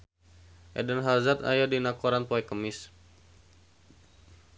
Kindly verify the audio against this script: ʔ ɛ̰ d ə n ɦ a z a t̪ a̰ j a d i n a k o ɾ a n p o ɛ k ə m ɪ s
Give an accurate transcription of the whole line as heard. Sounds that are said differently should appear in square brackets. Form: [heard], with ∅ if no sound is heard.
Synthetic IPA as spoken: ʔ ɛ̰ d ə n ɦ a z a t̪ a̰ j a d i n a k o ɾ a n p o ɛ k ə m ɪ s